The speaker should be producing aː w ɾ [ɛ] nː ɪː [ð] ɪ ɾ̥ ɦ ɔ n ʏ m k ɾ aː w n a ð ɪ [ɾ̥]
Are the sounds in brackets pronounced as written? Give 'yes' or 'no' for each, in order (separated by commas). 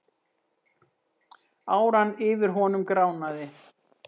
no, no, no